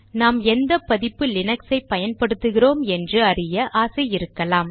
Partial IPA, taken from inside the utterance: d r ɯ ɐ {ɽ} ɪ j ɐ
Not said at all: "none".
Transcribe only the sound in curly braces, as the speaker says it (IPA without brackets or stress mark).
r